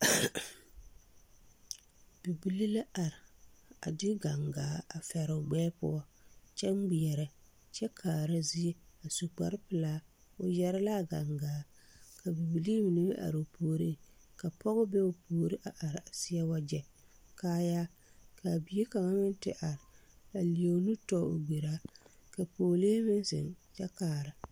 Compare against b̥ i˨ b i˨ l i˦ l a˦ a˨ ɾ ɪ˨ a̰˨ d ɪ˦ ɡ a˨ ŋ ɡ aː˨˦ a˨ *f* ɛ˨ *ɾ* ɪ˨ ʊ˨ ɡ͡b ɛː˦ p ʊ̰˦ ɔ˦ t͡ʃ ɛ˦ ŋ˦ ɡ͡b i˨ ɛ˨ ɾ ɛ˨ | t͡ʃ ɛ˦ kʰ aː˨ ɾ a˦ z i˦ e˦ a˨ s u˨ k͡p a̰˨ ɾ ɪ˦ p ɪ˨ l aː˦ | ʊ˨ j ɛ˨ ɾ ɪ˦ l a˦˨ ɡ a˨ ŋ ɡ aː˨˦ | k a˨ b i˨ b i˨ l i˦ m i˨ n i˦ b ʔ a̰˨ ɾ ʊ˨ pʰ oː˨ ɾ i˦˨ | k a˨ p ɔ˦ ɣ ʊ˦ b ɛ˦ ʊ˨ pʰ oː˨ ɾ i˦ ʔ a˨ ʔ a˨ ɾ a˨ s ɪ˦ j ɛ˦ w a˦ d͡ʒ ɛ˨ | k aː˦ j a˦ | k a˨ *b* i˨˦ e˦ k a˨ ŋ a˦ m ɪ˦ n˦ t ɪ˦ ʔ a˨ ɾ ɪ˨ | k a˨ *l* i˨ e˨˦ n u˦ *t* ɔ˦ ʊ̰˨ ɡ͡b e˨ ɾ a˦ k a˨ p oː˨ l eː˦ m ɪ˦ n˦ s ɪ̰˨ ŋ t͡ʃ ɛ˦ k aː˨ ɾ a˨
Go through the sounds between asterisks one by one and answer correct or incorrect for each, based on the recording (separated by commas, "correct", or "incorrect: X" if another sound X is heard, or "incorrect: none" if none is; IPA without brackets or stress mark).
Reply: correct, correct, correct, correct, correct